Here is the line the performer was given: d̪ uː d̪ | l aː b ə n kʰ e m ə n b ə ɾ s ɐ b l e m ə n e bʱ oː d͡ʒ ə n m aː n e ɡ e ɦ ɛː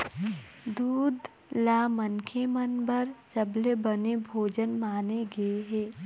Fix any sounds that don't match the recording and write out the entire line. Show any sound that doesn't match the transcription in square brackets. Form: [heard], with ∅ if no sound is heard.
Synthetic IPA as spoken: d̪ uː d̪ | l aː [m] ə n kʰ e m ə n b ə ɾ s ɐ b l e [b] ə n e bʱ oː d͡ʒ ə n m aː n e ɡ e ɦ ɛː